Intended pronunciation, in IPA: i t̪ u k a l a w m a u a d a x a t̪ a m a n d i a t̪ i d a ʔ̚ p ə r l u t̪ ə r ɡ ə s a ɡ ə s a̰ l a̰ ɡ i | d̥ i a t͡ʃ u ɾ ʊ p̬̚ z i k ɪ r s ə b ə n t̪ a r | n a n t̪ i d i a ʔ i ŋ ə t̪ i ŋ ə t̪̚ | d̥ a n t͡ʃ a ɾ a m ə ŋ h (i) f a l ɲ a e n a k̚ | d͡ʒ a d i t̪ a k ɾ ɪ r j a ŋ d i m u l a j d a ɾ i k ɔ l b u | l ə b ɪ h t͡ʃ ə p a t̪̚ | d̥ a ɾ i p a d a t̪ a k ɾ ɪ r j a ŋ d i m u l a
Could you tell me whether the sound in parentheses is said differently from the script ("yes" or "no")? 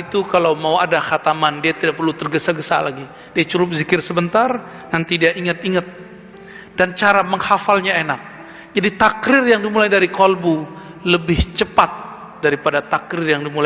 yes